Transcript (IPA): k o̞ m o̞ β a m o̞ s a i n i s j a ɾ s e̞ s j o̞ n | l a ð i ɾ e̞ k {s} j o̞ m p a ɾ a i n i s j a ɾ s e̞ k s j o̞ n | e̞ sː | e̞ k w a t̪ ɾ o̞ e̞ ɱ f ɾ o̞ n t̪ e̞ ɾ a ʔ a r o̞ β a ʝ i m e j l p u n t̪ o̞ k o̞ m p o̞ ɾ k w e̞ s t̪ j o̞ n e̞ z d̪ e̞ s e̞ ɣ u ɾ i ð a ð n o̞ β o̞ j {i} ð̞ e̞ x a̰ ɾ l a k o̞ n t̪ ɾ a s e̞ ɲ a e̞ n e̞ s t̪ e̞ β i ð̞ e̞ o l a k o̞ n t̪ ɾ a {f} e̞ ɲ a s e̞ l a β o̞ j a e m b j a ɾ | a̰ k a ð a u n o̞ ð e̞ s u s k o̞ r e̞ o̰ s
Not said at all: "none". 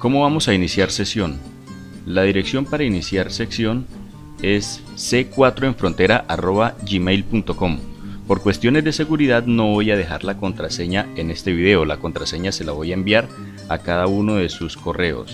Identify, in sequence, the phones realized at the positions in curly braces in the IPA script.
s, a, s

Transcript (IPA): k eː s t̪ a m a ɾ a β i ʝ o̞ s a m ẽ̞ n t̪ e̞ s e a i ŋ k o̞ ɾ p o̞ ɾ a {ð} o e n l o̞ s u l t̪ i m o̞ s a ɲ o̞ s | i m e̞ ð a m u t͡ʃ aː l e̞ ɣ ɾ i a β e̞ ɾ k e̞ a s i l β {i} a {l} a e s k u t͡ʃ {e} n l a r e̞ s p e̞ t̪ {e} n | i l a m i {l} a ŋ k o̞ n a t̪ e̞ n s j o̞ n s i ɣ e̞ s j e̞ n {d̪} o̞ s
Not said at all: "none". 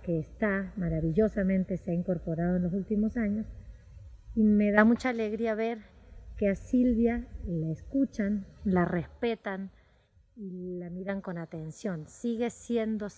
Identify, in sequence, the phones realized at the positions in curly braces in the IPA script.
ð, j, l, a, a, ɾ, d̪

